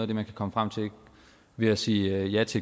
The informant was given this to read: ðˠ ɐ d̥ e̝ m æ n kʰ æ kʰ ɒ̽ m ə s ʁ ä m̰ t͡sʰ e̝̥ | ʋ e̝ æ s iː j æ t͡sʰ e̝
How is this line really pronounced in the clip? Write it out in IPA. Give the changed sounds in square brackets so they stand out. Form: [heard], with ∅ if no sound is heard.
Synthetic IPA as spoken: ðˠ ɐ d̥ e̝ m æ n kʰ æ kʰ ɒ̽ m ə [f] ʁ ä m̰ t͡sʰ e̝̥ | ʋ e̝ æ s iː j æ t͡sʰ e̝